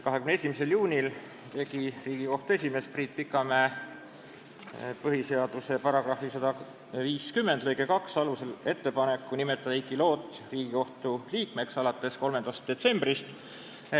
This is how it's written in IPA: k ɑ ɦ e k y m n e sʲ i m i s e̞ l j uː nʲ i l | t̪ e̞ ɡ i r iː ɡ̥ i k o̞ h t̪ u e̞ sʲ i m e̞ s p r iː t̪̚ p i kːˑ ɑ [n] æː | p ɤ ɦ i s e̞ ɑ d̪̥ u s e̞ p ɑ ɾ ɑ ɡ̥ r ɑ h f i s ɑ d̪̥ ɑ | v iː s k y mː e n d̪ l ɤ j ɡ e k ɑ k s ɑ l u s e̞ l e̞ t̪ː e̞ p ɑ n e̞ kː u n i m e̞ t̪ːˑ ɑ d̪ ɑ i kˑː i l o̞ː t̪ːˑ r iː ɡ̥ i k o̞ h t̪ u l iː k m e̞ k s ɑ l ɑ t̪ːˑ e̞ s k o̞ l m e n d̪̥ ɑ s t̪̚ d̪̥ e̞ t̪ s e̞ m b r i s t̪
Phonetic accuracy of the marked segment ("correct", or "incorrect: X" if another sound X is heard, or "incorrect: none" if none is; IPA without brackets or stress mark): incorrect: m